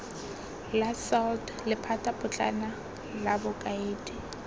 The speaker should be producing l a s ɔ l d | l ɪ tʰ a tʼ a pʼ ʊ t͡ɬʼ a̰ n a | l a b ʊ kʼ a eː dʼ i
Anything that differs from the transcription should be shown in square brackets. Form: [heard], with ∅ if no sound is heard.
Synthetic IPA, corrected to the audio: l a s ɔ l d | l ɪ [pʰ] a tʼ a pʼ ʊ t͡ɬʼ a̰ n a | l a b ʊ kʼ a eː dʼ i